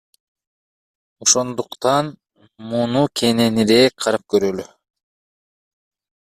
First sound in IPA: o̞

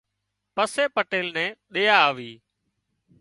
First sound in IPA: p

